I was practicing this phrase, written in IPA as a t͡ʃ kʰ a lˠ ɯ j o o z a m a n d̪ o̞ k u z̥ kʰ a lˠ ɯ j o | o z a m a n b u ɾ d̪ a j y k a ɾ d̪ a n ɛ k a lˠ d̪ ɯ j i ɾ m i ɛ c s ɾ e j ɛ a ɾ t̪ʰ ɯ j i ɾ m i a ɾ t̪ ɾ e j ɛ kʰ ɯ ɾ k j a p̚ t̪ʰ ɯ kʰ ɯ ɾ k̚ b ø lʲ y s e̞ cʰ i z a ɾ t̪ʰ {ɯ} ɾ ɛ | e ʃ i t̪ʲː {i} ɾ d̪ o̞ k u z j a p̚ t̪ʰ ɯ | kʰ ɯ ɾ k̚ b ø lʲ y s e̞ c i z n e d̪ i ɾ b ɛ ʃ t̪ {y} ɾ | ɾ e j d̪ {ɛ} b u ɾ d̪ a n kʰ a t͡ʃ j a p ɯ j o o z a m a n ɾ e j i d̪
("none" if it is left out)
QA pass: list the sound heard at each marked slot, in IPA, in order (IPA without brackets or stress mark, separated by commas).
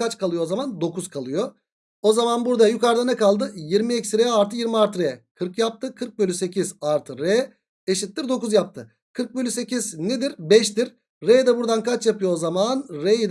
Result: ɯ, i, i, ɛ